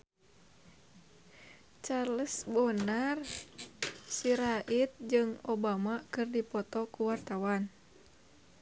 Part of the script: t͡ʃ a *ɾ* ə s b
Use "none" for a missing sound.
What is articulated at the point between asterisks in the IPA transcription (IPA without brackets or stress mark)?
l